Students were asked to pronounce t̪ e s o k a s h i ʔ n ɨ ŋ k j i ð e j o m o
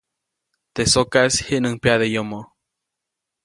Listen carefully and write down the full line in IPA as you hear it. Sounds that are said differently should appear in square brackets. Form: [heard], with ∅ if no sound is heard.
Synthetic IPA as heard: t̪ e s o k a s h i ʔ n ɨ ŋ [p] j [a] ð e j o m o